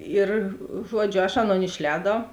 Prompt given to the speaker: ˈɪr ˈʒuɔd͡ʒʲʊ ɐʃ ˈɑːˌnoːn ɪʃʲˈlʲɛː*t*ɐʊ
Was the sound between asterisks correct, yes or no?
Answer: no